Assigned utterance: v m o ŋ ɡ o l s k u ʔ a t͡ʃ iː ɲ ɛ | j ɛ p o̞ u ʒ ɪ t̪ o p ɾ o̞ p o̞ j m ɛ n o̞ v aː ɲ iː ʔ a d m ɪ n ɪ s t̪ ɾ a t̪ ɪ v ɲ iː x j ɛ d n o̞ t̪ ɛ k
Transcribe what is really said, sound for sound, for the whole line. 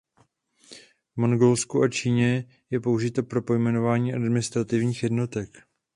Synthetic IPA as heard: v m o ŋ ɡ o l s k u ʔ a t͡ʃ iː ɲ ɛ | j ɛ p o̞ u ʒ ɪ t̪ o p ɾ o̞ p o̞ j m ɛ n o̞ v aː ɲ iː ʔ a d m ɪ n ɪ s t̪ ɾ a t̪ ɪ v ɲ iː x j ɛ d n o̞ t̪ ɛ k